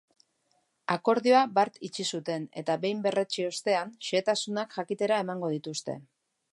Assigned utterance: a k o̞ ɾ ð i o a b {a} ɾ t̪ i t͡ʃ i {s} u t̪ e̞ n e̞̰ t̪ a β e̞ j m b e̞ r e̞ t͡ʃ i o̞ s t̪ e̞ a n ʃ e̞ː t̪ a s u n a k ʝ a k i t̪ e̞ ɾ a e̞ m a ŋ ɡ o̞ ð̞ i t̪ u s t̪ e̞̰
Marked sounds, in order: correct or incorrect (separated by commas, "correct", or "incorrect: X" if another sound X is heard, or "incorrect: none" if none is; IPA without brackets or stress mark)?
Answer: correct, correct